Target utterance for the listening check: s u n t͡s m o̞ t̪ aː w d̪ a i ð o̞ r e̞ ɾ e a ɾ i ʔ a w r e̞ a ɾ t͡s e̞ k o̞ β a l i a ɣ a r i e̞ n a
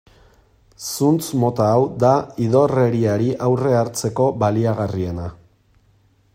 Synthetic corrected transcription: s u n t͡s m o̞ t̪ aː w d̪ a i ð o̞ r e̞ ɾ i a ɾ i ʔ a w r e̞ a ɾ t͡s e̞ k o̞ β a l i a ɣ a r i e̞ n a

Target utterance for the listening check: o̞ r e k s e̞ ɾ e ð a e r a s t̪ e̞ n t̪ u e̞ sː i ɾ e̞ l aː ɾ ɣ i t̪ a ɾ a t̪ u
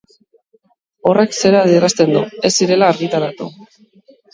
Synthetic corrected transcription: o̞ r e k s e̞ ɾ a ð i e r a s t̪ e̞ n d̪ u e̞ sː i ɾ e̞ l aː ɾ ɣ i t̪ a ɾ a t̪ u

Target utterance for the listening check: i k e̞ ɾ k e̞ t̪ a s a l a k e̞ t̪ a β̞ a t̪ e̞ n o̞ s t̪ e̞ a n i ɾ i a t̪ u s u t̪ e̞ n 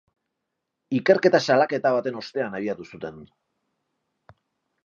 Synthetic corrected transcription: i k e̞ ɾ k e̞ t̪ a s a l a k e̞ t̪ a β̞ a t̪ e̞ n o̞ s t̪ e̞ a n a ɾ i a t̪ u s u t̪ e̞ n

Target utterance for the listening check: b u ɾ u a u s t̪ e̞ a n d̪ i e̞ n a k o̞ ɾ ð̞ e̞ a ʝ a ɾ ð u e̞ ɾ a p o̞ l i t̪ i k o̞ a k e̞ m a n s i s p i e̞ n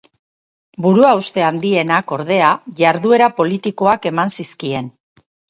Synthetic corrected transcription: b u ɾ u a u s t̪ e̞ a n d̪ i e̞ n a k o̞ ɾ ð̞ e̞ a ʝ a ɾ ð u e̞ ɾ a p o̞ l i t̪ i k o̞ a k e̞ m a n s i s k i e̞ n

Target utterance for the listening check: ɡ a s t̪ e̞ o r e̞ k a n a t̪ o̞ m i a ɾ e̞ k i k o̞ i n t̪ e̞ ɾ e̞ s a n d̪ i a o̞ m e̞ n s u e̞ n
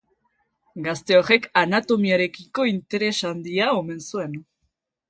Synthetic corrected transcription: ɡ a s t̪ e̞ o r e̞ k a n a t̪ o̞ m i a ɾ e̞ k i k o̞ i n t̪ e̞ ɾ e̞ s a n d̪ i a o̞ m e̞ n s u e̞ n

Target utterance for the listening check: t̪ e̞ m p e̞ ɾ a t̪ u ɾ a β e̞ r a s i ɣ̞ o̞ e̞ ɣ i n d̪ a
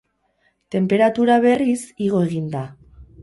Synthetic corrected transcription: t̪ e̞ m p e̞ ɾ a t̪ u ɾ a β e̞ r i s i ɣ̞ o̞ e̞ ɣ i n d̪ a

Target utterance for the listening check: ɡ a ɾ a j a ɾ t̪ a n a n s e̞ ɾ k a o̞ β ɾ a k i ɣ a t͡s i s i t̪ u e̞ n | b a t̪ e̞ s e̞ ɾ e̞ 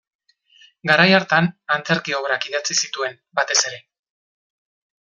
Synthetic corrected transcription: ɡ a ɾ a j a ɾ t̪ a n a n t͡s e̞ ɾ k i o̞ β ɾ a k i ð a t͡s i s i t̪ u e̞ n | b a t̪ e̞ s e̞ ɾ e̞

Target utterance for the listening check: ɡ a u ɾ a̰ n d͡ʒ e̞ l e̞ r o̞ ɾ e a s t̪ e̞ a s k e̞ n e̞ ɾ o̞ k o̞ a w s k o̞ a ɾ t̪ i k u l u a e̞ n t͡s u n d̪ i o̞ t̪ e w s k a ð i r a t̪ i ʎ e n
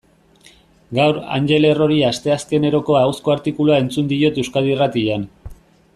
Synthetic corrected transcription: ɡ a w ɾ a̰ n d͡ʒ e̞ l e̞ r o̞ ɾ i a s t̪ e̞ a s k e̞ n e̞ ɾ o̞ k o̞ a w s k o̞ a ɾ t̪ i k u l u a e̞ n t͡s u n d̪ i o̞ t̪ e w s k a ð i r a t̪ i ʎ a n

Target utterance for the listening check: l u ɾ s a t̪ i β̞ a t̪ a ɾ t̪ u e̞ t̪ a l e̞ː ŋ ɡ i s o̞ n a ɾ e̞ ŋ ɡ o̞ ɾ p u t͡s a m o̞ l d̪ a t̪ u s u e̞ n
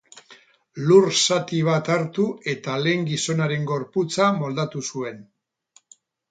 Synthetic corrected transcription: l u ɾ s a t̪ i β̞ a t̪ a ɾ t̪ u e̞ t̪ a l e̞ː ŋ ɡ i s o̞ n a ɾ e̞ ŋ ɡ o̞ ɾ p u t͡s a m o̞ l d̪ a t̪ u s u e̞ n

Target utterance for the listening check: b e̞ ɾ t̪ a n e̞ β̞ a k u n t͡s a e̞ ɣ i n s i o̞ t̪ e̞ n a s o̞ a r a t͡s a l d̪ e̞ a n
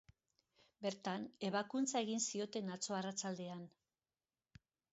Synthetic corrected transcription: b e̞ ɾ t̪ a n e̞ β̞ a k u n t͡s a e̞ ɣ i n s i o̞ t̪ e̞ n a t͡s o̞ a r a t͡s a l d̪ e̞ a n

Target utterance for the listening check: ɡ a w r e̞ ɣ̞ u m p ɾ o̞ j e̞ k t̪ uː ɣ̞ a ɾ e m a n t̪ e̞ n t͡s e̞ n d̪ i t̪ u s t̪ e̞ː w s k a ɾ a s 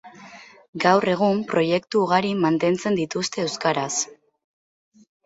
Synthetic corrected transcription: ɡ a w r e̞ ɣ̞ u m p ɾ o̞ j e̞ k t̪ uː ɣ̞ a ɾ i m a n t̪ e̞ n t͡s e̞ n d̪ i t̪ u s t̪ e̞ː w s k a ɾ a s

